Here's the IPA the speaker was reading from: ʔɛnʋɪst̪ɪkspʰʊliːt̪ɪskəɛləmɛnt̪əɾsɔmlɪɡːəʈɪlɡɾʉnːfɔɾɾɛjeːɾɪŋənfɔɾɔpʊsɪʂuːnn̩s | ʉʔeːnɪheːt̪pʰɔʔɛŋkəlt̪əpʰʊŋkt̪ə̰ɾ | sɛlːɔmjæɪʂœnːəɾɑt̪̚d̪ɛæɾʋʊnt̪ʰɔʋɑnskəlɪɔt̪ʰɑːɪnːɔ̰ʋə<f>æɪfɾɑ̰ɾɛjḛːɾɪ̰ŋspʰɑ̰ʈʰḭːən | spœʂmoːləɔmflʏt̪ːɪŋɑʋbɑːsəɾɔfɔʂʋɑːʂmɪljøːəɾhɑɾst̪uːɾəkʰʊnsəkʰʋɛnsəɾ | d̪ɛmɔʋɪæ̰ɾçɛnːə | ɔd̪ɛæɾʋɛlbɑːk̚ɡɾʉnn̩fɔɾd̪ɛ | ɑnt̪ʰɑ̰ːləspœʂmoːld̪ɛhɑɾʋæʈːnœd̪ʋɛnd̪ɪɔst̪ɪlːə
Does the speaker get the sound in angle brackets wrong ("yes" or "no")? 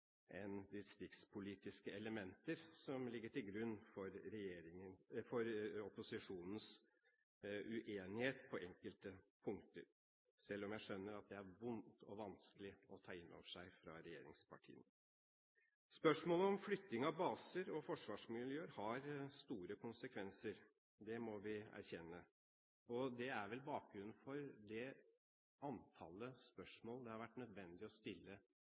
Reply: yes